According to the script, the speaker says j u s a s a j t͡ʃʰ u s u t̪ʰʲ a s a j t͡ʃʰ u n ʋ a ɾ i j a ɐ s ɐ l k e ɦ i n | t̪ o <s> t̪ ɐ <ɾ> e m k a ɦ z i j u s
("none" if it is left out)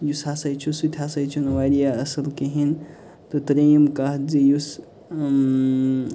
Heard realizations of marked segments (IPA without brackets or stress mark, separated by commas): none, ɾ